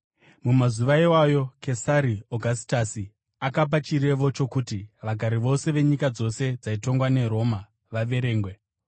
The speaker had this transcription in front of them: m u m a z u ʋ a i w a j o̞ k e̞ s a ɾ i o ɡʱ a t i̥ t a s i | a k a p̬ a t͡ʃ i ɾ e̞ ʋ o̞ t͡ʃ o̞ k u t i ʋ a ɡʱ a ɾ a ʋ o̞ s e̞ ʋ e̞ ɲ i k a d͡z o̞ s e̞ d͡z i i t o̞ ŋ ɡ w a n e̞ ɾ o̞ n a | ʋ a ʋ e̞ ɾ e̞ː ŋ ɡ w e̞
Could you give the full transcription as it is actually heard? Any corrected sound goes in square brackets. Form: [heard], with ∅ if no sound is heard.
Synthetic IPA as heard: m u m a z u ʋ a i w a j o̞ k e̞ s a ɾ i o ɡʱ a [s] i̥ t a s i | a k a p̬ a t͡ʃ i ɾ e̞ ʋ o̞ t͡ʃ o̞ k u t i ʋ a ɡʱ a ɾ [i] ʋ o̞ s e̞ ʋ e̞ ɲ i k a d͡z o̞ s e̞ d͡z [a] i t o̞ ŋ ɡ w a n e̞ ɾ o̞ [m] a | ʋ a ʋ e̞ ɾ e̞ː ŋ ɡ w e̞